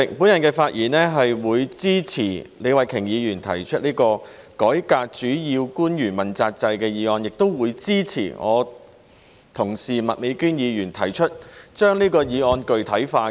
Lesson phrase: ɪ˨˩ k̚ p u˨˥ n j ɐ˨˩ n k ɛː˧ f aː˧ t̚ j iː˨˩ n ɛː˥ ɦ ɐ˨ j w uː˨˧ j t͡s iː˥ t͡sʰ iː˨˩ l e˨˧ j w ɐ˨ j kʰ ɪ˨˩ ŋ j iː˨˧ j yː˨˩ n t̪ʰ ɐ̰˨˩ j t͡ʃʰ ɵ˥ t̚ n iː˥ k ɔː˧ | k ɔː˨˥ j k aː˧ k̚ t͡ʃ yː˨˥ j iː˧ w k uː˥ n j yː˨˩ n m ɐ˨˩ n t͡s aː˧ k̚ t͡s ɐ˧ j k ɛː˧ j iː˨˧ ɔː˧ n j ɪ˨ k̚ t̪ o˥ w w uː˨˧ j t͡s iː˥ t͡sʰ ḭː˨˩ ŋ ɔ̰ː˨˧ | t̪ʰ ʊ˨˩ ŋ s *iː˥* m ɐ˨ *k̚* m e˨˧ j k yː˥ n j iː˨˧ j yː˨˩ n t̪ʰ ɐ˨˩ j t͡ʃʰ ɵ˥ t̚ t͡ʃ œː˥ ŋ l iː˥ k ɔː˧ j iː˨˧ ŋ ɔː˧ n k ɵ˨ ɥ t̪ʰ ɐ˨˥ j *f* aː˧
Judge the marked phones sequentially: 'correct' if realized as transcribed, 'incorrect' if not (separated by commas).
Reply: incorrect, incorrect, correct